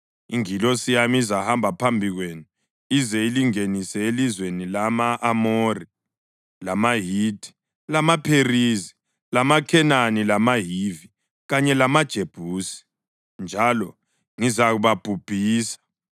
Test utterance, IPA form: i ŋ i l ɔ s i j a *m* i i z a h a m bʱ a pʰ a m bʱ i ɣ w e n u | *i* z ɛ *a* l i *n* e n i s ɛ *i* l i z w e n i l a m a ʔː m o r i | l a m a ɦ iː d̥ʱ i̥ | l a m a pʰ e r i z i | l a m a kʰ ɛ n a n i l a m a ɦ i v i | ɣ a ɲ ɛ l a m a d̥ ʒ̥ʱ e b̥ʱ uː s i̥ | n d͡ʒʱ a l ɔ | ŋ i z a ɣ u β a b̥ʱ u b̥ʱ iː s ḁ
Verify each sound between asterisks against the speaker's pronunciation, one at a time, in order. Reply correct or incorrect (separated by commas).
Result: correct, correct, incorrect, incorrect, incorrect